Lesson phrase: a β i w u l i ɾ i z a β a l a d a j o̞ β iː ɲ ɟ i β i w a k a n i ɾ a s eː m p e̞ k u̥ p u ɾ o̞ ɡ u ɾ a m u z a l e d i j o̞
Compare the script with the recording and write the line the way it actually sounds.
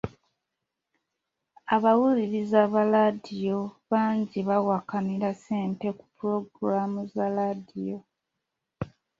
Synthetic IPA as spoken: a β a w u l i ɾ i z a β a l a d i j o̞ β aː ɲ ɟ i β a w a k a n i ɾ a s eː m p e̞ k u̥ p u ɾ o̞ ɡ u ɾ a m u z a l a d i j o̞